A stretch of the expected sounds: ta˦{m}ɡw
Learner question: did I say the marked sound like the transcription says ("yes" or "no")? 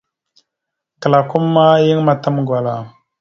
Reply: yes